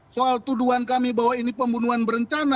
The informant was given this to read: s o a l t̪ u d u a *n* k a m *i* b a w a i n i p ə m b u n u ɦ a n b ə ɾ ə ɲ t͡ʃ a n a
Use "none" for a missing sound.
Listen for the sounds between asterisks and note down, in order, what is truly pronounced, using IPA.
n, i

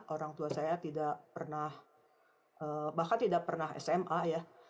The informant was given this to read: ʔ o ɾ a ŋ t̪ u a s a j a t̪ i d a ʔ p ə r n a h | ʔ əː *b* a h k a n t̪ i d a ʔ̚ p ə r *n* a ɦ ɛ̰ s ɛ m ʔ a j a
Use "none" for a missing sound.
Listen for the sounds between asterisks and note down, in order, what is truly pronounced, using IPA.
b, n

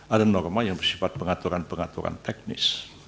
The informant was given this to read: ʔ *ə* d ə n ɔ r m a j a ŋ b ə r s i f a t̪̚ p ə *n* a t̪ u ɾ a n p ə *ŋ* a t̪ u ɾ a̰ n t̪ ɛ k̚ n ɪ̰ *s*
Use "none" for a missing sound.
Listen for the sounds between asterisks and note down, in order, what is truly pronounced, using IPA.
a, ŋ, ŋ, s

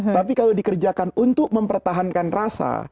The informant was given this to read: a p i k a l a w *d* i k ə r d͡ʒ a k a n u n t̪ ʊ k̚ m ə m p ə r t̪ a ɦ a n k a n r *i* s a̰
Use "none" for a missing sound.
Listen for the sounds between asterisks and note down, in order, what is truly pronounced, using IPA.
d, a

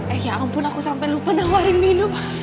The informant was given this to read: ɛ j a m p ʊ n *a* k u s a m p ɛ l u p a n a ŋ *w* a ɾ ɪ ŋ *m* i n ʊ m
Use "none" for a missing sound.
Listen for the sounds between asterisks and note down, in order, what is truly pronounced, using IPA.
a, w, m

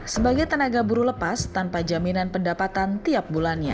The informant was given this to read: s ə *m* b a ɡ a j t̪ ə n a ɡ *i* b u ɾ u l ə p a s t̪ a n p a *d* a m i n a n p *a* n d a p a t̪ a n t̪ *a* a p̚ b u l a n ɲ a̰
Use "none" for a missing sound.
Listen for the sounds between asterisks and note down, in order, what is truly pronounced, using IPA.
none, a, d͡ʒ, ə, i

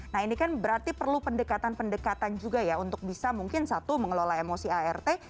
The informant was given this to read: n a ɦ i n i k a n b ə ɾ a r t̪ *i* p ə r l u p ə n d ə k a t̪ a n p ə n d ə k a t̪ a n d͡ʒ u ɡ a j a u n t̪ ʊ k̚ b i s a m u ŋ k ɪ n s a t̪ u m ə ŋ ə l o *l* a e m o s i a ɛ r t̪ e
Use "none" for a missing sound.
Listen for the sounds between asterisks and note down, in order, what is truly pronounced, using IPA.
i, l

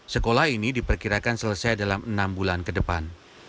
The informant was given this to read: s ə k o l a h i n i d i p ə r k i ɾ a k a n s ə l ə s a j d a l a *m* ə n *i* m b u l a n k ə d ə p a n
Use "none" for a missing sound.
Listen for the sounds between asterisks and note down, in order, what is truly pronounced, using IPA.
m, a

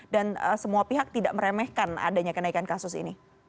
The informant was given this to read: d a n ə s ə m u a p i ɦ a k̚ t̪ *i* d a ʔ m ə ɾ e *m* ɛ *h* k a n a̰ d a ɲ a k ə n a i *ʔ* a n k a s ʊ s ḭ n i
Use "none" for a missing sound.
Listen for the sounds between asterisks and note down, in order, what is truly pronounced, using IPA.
i, m, h, k

